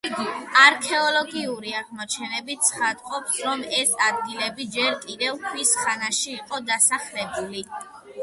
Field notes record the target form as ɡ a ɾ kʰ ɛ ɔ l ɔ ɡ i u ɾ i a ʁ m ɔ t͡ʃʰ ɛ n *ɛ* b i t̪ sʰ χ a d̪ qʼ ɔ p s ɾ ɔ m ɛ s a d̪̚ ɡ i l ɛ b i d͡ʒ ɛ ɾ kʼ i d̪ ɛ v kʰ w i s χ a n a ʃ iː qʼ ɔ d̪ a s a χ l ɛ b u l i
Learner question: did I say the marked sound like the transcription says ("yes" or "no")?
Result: yes